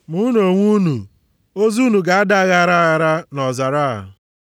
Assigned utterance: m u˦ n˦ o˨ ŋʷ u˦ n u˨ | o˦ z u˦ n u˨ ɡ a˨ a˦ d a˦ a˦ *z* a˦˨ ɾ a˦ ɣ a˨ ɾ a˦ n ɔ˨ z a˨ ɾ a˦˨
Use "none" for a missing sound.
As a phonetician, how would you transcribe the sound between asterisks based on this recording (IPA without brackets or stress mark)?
ɣ